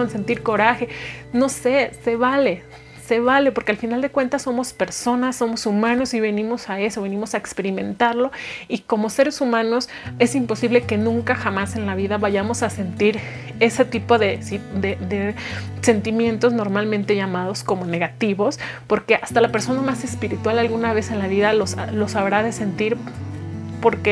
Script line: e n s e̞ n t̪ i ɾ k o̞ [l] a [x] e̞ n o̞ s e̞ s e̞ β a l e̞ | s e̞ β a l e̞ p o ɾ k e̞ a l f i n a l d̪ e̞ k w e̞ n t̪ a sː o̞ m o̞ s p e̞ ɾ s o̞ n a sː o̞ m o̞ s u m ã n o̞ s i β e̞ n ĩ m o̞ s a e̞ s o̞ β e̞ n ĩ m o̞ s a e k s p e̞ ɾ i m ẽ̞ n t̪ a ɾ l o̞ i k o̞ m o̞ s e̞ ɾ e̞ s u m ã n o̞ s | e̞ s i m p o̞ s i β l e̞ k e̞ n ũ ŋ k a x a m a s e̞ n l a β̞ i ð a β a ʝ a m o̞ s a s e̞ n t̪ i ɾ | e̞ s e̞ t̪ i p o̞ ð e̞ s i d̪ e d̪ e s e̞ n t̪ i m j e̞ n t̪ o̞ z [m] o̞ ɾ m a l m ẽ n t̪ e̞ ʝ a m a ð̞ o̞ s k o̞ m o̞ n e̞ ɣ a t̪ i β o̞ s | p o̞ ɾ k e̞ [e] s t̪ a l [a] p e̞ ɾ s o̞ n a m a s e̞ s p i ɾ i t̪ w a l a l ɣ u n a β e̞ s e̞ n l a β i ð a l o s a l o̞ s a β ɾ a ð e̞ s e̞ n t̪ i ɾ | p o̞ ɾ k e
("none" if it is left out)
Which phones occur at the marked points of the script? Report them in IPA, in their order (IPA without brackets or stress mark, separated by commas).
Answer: ɾ, x, n, a, a